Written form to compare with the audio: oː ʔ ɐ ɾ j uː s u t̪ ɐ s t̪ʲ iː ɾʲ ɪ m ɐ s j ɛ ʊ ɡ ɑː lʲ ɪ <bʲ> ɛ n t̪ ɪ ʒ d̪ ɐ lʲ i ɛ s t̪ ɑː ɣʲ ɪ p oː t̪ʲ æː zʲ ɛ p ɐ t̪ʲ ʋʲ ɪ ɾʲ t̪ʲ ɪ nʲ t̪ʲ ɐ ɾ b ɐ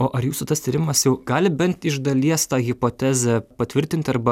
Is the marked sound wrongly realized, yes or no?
no